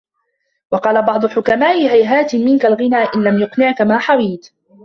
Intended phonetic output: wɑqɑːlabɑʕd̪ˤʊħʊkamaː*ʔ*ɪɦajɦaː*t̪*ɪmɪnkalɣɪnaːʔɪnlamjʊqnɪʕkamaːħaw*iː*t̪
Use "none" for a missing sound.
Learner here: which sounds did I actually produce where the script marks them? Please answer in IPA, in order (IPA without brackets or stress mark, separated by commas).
ʔ, t̪, iː